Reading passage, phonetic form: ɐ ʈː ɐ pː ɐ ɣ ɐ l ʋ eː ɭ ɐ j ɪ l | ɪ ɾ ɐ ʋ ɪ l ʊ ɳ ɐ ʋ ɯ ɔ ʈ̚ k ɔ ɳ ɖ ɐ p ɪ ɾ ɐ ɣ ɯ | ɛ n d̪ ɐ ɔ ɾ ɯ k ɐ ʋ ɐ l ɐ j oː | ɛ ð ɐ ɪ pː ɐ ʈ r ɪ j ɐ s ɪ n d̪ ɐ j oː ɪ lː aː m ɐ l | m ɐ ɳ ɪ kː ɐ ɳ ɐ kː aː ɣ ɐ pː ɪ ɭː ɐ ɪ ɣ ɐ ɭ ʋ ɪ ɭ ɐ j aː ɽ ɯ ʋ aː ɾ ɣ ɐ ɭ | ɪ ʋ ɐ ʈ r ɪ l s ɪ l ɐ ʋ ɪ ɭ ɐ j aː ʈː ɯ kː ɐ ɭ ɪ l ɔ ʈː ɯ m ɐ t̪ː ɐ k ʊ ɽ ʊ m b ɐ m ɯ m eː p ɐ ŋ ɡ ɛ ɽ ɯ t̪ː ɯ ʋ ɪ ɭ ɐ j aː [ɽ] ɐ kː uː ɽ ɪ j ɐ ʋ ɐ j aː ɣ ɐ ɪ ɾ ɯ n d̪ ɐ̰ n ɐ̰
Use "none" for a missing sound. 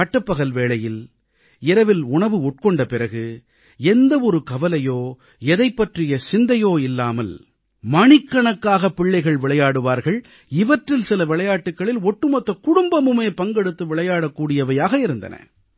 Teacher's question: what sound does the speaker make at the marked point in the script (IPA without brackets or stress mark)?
ɽ